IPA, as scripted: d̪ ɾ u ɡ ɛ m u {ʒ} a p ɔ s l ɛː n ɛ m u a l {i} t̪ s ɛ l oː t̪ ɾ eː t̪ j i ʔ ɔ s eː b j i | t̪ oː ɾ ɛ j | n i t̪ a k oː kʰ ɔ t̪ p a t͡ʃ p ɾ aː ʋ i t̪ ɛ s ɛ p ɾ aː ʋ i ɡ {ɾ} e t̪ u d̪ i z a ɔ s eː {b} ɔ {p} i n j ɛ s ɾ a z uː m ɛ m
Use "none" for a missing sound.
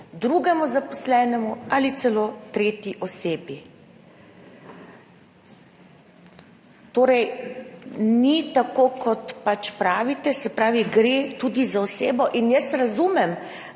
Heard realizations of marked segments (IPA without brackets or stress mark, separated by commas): z, i, ɾ, b, ʔ